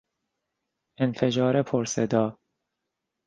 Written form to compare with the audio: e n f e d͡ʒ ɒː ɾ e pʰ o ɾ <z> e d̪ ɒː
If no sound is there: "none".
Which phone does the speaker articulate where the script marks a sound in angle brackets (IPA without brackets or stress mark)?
s